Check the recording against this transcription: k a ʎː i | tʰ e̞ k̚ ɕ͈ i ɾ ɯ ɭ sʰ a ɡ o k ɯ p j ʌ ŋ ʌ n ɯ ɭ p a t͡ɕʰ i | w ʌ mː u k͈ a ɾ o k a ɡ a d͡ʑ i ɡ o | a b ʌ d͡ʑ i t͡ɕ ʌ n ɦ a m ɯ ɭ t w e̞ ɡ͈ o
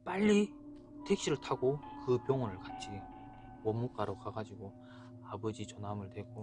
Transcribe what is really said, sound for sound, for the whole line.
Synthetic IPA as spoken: p a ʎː i | tʰ e̞ k̚ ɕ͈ i ɾ ɯ ɭ tʰ a ɡ o k ɯ p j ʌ ŋ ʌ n ɯ ɭ k a t͡ɕʰ i | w ʌ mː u k͈ a ɾ o k a ɡ a d͡ʑ i ɡ o | a b ʌ d͡ʑ i t͡ɕ ʌ n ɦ a m ɯ ɭ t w e̞ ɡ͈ o